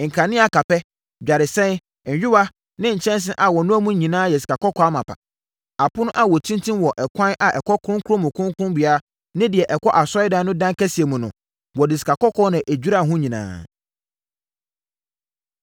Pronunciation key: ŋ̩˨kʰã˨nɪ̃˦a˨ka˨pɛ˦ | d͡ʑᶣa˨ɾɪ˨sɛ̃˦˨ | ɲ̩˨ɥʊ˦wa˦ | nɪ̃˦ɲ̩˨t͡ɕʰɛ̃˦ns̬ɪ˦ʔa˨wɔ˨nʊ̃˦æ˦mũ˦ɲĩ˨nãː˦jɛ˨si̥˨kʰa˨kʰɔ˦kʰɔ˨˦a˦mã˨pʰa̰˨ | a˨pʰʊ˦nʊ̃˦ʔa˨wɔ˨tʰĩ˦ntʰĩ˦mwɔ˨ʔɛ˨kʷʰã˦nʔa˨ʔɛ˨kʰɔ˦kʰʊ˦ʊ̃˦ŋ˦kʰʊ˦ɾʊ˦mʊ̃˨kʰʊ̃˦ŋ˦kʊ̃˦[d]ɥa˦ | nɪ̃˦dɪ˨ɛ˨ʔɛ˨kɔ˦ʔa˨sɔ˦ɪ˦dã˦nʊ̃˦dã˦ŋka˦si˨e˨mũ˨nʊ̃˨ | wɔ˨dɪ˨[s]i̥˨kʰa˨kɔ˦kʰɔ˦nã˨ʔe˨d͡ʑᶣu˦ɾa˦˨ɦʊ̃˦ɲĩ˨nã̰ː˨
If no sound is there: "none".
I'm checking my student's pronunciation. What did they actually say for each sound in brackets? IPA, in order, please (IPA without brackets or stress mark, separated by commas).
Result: b, s